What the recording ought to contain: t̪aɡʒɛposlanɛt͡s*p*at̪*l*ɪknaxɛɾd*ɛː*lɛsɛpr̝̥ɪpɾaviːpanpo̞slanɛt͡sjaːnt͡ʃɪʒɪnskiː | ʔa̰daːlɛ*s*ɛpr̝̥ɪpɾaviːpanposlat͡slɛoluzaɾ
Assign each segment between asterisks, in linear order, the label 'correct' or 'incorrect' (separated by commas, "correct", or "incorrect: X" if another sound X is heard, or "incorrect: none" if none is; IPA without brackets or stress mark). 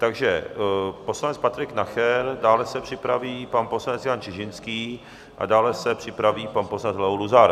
correct, incorrect: ɾ, incorrect: aː, correct